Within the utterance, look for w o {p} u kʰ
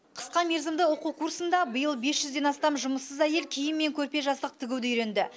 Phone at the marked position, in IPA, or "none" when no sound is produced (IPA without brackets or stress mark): q